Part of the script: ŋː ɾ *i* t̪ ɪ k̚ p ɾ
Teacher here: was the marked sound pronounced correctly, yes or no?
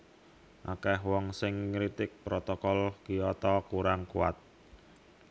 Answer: yes